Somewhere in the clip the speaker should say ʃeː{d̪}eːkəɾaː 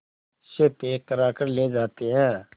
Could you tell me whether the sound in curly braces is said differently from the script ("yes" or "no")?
yes